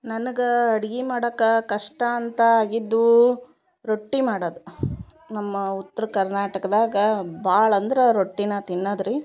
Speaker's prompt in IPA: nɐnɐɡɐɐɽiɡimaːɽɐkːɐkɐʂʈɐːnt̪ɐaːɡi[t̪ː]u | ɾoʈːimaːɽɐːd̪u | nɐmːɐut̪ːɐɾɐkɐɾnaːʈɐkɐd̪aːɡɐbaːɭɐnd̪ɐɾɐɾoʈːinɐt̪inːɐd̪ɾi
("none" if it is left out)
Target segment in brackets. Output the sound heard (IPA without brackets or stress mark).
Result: d̪ː